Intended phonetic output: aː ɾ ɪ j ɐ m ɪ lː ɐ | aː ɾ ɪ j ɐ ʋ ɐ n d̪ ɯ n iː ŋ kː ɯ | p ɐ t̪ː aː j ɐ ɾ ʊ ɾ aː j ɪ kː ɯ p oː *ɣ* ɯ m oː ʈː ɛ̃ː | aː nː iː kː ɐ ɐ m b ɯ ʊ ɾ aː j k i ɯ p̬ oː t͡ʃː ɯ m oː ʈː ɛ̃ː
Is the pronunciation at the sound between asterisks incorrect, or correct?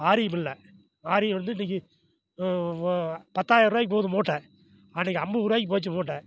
incorrect